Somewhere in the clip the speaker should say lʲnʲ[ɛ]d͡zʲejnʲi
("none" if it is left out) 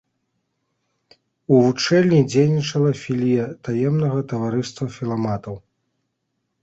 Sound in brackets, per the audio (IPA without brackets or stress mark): i